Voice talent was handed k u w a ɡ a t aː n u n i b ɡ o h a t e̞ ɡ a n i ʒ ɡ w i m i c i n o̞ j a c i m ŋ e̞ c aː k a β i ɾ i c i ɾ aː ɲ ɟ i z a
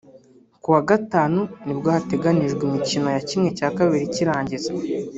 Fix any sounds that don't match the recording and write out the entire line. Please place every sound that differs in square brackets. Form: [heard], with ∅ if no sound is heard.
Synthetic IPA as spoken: k u w a ɡ a t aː n u n i b ɡ o h a t e̞ ɡ a n i ʒ ɡ w i m i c i n o̞ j a c i m ŋ e̞ c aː k a β i ɾ i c i ɾ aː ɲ ɟ i z a

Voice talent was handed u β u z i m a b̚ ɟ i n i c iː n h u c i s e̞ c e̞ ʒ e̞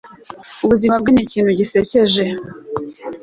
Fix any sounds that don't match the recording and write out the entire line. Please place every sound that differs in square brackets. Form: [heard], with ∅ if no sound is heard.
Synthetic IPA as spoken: u β u z i m a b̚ [ɡ] i n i c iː n h u [ɟ] i s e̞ c e̞ ʒ e̞

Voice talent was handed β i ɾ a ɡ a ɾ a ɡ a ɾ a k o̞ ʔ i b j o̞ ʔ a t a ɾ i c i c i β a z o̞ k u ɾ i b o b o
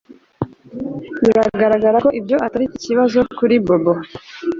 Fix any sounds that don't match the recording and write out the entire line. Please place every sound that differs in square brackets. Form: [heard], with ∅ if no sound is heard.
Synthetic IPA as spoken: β i ɾ a ɡ a ɾ a ɡ a ɾ a k o̞ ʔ i b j o̞ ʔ a t a ɾ i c i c i β a z o̞ k u ɾ i b o b o

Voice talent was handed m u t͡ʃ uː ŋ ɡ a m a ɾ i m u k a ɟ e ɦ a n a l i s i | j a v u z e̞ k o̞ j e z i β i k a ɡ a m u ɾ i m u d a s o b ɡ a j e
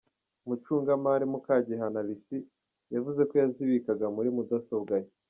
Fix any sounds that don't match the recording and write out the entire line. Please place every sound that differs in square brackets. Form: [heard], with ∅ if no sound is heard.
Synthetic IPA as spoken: m u t͡ʃ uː ŋ ɡ a m a ɾ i m u k a ɟ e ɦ a n a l i s i | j a v u z e̞ k o̞ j [a] z i β i k a ɡ a m u ɾ i m u d a s o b ɡ a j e

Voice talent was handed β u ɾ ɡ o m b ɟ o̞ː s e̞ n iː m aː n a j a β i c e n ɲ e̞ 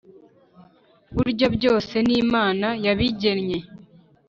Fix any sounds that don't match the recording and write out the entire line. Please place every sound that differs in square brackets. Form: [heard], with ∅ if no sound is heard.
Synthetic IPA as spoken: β u ɾ [ɟ] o [∅] b ɟ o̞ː s e̞ n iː m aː n a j a β i [ɟ] e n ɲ e̞

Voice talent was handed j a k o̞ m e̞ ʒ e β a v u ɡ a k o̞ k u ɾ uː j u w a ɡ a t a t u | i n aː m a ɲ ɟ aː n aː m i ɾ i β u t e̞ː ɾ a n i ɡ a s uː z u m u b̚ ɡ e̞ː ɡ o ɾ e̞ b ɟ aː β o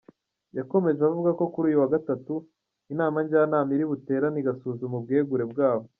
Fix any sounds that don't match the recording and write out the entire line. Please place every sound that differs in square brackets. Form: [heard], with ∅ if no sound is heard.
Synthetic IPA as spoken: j a k o̞ m e̞ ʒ e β a v u ɡ a k o̞ k u ɾ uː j u w a ɡ a t a t u | i n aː m a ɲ ɟ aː n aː m i ɾ i β u t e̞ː ɾ a n i ɡ a s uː z u m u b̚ ɡ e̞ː ɡ [u] ɾ e̞ b [ɡ] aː β o

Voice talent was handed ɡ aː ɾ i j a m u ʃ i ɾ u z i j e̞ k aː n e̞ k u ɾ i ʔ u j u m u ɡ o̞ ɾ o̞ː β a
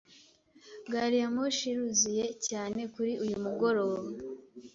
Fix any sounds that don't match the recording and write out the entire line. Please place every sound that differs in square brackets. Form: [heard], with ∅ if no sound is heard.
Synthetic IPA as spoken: ɡ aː ɾ i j a m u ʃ i ɾ u z i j e̞ [c] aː n e̞ k u ɾ i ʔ u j u m u ɡ o̞ ɾ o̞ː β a

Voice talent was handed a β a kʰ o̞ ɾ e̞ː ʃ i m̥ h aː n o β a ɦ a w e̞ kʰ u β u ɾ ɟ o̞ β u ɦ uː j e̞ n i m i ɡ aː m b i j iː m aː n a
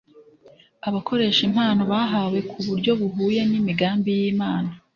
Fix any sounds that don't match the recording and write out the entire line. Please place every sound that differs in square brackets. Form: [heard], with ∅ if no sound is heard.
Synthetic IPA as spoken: a β a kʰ o̞ ɾ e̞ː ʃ i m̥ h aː n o β a ɦ a w e̞ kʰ u β u ɾ ɟ o̞ β u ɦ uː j e̞ n i m i ɡ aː m b i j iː m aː n a

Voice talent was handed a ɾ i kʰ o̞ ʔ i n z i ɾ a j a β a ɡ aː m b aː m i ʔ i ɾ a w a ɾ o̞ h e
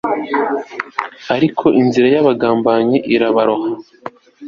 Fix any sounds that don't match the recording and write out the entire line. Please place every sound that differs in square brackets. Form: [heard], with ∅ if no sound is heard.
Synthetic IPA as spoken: a ɾ i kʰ o̞ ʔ i n z i ɾ a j a β a ɡ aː m b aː [ɲ] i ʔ i ɾ a [β] a ɾ o̞ h [a]

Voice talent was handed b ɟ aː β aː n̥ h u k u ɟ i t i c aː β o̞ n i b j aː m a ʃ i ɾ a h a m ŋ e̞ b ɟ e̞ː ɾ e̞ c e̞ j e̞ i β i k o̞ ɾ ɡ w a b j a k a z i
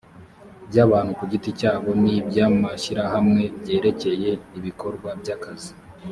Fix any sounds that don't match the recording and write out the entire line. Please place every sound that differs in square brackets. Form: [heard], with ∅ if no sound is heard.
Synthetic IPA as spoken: b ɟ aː β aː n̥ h u k u ɟ i t i c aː β o̞ n i b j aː m a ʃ i ɾ a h a m ŋ e̞ b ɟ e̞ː ɾ e̞ c e̞ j e̞ i β i k o̞ ɾ ɡ w a b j a k a z i

